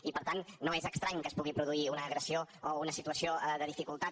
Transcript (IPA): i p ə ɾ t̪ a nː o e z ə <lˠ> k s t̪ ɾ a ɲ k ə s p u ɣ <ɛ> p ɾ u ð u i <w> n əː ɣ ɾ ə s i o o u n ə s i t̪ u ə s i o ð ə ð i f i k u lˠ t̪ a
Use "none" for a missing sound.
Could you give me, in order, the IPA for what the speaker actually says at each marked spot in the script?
none, i, u

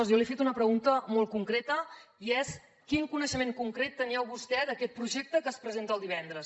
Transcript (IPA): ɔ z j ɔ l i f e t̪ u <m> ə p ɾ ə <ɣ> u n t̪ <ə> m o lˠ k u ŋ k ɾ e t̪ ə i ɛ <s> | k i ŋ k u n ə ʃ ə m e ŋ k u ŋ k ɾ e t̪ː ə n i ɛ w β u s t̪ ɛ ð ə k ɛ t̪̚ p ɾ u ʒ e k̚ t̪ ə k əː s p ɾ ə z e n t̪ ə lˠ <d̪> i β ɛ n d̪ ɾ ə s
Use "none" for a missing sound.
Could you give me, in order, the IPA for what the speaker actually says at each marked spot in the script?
n, ɣ, ə, s, d̪

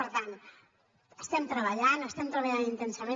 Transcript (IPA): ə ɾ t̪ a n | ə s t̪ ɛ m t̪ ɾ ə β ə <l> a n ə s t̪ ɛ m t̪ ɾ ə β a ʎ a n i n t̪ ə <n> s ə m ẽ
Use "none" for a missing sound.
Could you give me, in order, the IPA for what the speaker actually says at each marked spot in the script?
ʎ, n

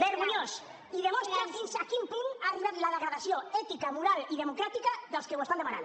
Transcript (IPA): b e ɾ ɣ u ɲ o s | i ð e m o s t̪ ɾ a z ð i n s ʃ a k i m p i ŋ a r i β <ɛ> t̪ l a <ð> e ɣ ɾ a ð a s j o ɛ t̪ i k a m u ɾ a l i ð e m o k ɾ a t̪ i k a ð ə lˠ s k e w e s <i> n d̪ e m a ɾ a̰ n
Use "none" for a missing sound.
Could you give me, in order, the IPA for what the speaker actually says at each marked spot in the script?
a, ð, a

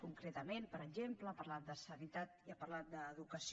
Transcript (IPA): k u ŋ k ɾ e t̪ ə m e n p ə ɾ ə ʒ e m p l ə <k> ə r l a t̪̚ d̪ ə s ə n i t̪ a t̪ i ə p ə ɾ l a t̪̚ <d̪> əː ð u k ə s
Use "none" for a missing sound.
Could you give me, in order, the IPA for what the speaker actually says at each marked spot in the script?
p, d̪

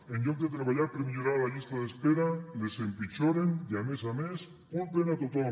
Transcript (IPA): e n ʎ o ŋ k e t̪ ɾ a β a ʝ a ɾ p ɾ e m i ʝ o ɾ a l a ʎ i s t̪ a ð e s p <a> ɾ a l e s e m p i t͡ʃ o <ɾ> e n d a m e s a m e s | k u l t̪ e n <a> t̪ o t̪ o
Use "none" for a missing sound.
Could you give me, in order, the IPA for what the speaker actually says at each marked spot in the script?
e, ɾ, a

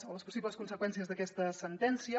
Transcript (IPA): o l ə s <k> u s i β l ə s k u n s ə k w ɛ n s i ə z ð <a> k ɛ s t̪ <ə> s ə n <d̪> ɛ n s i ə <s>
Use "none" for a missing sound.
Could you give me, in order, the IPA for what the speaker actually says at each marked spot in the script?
p, ə, ə, t̪, none

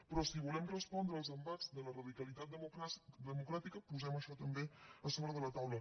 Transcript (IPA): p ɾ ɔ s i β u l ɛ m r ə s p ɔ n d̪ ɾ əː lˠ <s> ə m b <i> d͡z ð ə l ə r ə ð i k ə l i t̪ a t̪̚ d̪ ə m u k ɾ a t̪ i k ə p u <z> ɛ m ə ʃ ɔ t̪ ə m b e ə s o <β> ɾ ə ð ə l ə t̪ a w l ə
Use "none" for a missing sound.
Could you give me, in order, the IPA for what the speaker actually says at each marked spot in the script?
z, a, z, β

